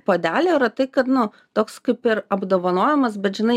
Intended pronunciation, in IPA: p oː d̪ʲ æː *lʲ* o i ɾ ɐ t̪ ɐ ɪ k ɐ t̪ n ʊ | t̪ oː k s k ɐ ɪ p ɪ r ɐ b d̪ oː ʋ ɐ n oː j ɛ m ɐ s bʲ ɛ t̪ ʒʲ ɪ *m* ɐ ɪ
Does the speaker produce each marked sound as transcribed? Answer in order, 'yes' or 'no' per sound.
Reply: yes, no

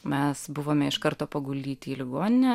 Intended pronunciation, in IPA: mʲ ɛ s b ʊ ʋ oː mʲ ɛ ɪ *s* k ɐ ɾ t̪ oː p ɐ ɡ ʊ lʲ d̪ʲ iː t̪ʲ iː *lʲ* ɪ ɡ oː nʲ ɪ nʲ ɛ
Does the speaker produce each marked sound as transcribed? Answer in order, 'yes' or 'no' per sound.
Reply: no, yes

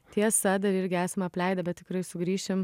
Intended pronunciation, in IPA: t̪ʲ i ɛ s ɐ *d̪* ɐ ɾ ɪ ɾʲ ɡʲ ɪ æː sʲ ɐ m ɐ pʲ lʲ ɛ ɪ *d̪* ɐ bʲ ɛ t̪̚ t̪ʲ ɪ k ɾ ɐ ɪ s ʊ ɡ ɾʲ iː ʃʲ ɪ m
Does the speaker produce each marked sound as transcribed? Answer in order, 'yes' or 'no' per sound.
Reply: yes, yes

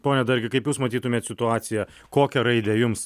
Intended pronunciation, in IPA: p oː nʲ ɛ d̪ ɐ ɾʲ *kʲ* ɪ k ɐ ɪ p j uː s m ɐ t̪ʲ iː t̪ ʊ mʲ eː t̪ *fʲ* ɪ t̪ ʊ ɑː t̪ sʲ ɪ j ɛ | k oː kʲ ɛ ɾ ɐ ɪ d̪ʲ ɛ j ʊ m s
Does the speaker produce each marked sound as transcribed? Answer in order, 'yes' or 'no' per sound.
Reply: no, no

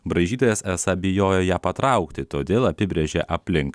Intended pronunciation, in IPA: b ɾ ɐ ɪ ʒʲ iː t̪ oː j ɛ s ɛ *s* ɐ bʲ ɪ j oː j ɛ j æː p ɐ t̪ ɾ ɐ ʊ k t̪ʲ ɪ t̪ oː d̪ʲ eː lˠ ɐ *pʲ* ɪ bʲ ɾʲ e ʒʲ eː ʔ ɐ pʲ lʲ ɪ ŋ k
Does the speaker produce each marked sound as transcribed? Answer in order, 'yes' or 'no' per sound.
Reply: yes, yes

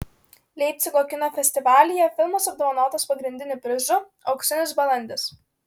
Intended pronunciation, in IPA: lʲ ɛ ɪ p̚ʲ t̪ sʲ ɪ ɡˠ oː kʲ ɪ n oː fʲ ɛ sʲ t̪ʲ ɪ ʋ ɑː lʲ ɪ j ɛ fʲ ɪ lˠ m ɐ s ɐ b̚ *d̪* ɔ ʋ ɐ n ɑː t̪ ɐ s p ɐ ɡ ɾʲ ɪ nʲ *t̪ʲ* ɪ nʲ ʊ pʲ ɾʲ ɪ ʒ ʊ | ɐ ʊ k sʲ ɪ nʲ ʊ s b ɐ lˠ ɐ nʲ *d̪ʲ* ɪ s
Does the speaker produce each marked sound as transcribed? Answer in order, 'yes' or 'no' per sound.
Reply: yes, no, yes

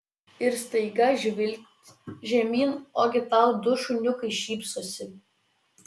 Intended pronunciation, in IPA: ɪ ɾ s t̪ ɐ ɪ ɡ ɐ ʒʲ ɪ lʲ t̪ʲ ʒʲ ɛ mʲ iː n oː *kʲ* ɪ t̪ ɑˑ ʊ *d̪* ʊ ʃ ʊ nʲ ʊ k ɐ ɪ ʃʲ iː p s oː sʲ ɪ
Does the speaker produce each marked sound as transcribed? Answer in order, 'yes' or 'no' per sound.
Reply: no, yes

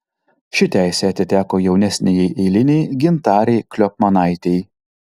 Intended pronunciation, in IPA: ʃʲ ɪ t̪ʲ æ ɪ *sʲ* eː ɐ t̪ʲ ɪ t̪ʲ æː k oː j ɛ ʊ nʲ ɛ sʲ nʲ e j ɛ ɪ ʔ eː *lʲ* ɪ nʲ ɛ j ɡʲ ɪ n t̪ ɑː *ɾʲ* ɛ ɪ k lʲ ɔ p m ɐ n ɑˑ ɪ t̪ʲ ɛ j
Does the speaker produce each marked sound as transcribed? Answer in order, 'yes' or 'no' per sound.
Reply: yes, yes, yes

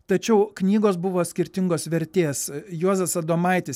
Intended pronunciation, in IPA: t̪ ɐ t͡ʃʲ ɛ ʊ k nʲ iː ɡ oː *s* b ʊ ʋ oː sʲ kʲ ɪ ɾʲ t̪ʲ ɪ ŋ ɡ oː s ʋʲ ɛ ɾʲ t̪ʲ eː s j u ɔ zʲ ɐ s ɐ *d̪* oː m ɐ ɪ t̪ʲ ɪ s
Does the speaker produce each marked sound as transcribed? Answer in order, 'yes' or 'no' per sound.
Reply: yes, yes

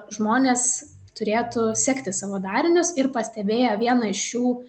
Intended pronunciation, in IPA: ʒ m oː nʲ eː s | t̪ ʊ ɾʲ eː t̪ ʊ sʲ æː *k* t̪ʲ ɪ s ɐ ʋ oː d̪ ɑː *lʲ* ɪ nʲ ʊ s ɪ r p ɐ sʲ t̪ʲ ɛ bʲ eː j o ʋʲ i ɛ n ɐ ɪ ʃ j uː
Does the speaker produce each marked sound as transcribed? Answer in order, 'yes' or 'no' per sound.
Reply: yes, no

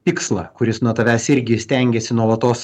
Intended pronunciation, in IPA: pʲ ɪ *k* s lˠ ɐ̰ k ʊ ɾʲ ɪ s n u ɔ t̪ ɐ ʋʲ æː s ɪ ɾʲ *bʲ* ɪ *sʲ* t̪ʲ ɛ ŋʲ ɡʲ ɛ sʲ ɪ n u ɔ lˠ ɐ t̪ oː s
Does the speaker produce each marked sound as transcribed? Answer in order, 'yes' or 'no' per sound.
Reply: yes, no, yes

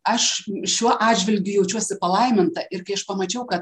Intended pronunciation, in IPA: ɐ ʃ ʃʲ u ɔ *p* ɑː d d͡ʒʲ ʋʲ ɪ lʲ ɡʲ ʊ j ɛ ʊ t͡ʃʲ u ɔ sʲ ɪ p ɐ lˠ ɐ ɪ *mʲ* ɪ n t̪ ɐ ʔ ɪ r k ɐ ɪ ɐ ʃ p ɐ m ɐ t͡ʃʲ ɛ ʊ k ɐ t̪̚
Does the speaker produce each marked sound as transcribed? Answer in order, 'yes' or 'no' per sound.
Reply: no, yes

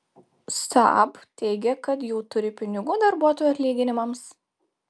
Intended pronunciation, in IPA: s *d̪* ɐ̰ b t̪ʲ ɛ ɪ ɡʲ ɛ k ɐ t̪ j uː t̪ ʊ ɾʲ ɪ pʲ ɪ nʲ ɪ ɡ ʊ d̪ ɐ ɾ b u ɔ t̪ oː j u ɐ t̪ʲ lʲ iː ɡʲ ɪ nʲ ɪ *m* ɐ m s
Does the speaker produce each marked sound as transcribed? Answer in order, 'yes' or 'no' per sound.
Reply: no, yes

